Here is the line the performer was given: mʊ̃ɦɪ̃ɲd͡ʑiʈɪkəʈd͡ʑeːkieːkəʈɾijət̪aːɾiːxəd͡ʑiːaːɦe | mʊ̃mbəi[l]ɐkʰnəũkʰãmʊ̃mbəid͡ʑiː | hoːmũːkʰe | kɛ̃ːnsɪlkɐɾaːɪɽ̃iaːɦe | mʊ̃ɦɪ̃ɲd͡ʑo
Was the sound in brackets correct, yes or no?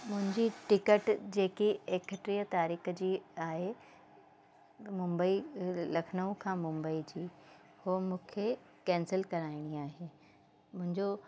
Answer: yes